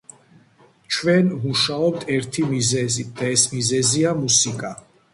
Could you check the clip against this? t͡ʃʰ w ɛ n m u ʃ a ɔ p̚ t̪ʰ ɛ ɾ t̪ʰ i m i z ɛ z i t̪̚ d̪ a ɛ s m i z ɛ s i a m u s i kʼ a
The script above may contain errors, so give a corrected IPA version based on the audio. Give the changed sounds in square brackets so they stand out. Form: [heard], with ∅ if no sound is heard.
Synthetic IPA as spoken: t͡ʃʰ w ɛ n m u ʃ a ɔ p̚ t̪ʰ ɛ ɾ t̪ʰ i m i z ɛ z i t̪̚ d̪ a ɛ s m i z ɛ [z] i a m u s i kʼ a